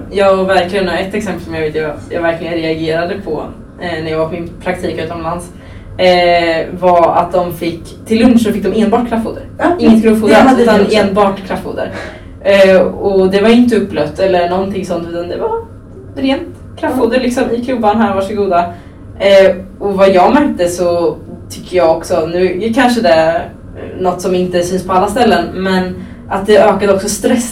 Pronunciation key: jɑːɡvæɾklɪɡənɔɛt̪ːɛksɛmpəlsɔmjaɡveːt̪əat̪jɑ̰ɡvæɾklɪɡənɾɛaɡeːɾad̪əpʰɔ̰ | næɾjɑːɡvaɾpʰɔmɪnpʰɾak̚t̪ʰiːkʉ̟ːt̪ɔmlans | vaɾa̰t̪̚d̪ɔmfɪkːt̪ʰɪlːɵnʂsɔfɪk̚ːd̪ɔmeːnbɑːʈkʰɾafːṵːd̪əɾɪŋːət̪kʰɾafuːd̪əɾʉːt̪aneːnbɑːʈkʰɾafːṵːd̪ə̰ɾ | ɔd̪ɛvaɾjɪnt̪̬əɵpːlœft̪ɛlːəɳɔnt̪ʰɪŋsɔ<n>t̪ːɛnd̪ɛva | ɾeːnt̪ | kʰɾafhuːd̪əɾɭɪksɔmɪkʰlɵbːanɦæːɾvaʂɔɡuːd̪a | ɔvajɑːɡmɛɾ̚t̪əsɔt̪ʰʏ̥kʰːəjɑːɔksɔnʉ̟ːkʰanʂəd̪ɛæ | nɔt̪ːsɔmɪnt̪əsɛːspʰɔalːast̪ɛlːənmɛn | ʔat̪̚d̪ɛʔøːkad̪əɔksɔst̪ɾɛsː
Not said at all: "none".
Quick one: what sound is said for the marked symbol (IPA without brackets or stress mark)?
n